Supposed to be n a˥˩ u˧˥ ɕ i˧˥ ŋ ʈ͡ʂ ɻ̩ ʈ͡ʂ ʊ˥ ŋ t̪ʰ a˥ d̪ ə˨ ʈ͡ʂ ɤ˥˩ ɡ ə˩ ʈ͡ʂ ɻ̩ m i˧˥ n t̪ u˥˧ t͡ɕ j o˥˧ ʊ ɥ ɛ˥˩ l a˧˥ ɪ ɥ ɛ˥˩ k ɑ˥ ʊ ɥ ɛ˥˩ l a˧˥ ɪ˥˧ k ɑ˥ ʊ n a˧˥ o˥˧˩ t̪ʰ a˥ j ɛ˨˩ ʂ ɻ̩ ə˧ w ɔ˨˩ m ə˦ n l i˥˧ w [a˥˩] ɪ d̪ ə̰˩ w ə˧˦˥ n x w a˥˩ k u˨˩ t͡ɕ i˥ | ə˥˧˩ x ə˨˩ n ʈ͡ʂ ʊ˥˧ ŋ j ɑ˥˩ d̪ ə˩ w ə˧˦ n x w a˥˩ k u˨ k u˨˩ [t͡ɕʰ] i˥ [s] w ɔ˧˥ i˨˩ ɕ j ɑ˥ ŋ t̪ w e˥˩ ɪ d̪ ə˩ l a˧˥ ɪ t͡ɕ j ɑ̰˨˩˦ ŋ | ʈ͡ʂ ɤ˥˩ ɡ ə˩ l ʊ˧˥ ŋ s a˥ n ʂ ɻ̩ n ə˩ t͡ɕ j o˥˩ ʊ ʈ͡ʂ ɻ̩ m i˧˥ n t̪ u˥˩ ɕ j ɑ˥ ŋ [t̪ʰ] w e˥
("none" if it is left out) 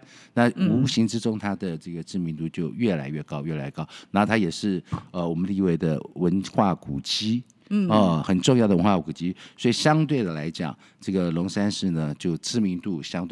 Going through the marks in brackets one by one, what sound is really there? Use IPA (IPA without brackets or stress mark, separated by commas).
e˥˩, t͡ɕ, s, t̪